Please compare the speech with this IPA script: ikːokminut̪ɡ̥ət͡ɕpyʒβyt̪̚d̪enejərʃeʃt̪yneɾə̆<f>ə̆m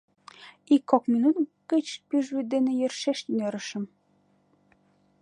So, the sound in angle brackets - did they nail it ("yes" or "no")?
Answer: no